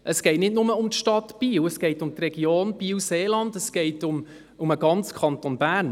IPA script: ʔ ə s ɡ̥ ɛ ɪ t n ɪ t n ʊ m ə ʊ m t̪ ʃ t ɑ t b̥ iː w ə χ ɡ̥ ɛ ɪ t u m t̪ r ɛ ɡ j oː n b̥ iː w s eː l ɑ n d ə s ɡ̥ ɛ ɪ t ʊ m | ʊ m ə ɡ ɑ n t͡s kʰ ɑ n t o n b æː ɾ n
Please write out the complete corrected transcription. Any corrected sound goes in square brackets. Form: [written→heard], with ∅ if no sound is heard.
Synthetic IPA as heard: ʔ ə s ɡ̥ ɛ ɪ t n ɪ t n ʊ m ə ʊ m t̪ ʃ t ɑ t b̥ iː w ə [χ→s] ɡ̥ ɛ ɪ t [u→ʊ] m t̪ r ɛ ɡ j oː n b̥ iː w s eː l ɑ n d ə s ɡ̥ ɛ ɪ t ʊ m | ʊ m ə ɡ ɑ n t͡s kʰ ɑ n t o n b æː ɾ n

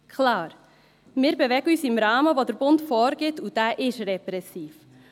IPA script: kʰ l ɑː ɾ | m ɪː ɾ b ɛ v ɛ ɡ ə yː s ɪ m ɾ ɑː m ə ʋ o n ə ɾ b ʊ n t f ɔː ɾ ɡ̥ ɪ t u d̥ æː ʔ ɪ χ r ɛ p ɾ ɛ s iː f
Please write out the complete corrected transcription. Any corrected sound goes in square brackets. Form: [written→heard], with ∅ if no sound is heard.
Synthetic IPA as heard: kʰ l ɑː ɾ | m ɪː ɾ b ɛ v ɛ ɡ ə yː s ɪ m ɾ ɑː m ə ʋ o [n→d] ə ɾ b ʊ n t f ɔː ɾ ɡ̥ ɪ t u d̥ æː ʔ ɪ [χ→ʃ] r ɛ p ɾ ɛ s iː f

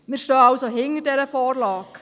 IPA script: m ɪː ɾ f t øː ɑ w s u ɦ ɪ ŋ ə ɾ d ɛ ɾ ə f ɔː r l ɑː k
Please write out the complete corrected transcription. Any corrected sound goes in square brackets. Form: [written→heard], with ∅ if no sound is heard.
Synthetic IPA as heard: m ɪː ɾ [f→ʃ] t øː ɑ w s [u→o] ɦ ɪ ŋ ə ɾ d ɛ ɾ ə f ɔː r l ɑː k

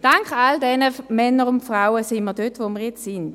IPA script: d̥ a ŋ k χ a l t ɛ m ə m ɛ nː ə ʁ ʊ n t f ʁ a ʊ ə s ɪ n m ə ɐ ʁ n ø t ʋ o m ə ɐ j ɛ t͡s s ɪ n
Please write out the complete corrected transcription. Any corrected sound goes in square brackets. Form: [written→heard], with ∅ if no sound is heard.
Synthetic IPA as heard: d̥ a ŋ k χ a l [t→d] ɛ [m→n] ə m ɛ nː ə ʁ ʊ n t f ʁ a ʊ ə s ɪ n m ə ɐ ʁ [n→d] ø t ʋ o m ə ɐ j ɛ t͡s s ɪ n

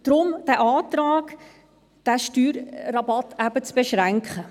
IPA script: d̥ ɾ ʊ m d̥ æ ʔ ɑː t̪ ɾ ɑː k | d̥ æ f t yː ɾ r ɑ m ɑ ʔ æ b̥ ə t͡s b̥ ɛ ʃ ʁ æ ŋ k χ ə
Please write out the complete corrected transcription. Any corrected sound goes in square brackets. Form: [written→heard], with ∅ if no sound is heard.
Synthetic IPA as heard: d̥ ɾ ʊ m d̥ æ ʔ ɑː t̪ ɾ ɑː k | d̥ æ [f→ʃ] t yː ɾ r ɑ [m→b] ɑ [ʔ→t] æ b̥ ə t͡s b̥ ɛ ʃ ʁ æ ŋ k χ ə

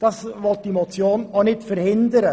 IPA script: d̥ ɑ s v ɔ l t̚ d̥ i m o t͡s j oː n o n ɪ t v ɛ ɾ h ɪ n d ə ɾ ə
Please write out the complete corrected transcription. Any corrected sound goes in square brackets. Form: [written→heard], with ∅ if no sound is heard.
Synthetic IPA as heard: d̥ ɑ s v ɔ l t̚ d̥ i m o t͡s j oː n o n ɪ t [v→f] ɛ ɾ h ɪ n d ə ɾ ə

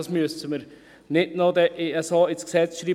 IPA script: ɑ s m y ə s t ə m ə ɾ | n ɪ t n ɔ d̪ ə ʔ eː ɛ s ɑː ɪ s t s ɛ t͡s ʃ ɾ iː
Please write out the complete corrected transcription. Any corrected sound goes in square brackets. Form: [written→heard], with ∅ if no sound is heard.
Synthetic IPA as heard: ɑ s m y ə s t ə m ə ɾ | n ɪ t n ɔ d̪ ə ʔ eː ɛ s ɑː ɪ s [t→k] s ɛ t͡s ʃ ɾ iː

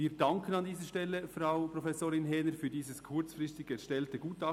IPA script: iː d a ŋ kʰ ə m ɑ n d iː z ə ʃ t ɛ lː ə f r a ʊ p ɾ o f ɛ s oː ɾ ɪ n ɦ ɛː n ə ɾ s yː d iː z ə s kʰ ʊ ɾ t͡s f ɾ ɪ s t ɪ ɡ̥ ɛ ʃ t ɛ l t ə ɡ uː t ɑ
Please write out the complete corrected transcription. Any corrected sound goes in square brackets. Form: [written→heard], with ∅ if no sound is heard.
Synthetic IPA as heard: iː d [a→ɑ] ŋ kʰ ə [m→n] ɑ n d iː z ə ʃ t ɛ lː ə f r a ʊ p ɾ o f ɛ s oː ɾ ɪ n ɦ ɛː n ə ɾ [s→f] yː d iː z ə s kʰ ʊ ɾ t͡s f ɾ ɪ s t ɪ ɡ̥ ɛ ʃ t ɛ l t ə ɡ uː t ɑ

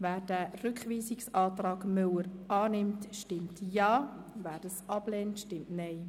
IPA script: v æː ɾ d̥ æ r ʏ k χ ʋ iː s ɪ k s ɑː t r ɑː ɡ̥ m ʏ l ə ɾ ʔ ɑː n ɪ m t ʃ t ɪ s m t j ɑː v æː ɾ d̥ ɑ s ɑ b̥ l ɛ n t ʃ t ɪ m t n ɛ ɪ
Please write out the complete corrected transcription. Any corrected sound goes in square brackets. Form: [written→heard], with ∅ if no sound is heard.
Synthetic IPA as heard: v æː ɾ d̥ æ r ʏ k χ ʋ iː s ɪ k s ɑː t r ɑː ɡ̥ m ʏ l ə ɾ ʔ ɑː n ɪ m t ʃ t ɪ [s→∅] m t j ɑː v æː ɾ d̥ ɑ s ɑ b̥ l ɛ n t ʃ t ɪ m t n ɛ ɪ

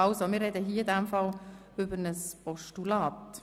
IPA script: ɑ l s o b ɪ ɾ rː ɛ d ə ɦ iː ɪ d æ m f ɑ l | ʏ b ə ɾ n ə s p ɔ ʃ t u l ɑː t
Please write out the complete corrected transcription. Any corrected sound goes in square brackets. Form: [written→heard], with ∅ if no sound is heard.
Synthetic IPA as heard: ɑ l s o [b→m] ɪ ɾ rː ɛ d ə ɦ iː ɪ d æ m f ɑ l | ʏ b ə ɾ n ə s p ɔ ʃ t u l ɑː t

